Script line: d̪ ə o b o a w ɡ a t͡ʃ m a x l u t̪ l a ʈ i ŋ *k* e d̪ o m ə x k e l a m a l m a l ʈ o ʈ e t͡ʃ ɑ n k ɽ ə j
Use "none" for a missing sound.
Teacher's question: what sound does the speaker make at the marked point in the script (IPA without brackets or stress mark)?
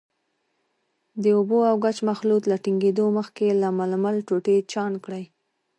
ɡ